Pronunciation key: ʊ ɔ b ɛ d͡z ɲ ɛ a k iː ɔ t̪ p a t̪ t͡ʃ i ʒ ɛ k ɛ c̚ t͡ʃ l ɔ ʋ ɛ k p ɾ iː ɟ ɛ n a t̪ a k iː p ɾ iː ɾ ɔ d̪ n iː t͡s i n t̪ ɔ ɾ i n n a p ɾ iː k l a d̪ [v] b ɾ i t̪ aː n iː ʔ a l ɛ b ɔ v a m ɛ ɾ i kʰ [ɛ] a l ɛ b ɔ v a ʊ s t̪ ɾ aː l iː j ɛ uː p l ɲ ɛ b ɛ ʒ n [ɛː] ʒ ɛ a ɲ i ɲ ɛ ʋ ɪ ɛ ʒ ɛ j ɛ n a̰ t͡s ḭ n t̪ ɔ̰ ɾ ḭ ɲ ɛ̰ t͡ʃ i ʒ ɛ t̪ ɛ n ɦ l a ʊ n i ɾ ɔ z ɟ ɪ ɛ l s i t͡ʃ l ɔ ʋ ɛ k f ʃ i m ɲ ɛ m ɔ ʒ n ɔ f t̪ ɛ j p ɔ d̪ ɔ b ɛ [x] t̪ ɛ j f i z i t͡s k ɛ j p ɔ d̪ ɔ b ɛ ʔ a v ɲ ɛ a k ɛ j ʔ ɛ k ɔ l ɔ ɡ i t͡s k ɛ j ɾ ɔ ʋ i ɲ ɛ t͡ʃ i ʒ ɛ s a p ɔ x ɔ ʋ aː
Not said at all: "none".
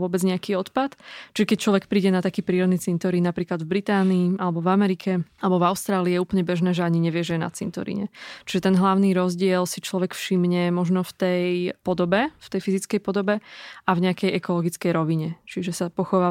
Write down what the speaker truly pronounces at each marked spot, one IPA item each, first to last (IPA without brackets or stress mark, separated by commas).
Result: v, ɛ, ɛː, f